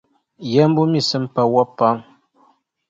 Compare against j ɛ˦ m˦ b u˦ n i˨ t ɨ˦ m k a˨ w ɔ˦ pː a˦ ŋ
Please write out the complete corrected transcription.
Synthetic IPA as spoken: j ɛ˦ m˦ b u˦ m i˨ s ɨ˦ m p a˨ w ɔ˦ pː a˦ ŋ